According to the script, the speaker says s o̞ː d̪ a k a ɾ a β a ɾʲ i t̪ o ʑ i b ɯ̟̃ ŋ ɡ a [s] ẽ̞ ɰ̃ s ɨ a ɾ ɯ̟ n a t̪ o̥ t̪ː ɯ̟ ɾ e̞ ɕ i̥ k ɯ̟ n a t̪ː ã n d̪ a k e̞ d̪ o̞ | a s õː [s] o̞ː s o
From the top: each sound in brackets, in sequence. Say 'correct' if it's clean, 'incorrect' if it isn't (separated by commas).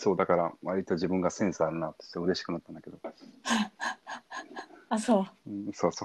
correct, correct